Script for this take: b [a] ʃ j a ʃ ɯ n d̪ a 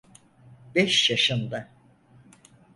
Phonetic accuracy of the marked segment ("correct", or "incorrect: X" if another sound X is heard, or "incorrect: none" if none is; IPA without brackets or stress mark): incorrect: ɛ